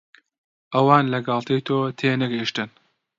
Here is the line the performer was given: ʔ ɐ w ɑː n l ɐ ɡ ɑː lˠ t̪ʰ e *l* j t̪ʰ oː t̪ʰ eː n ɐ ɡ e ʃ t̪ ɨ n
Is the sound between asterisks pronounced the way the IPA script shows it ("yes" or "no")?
no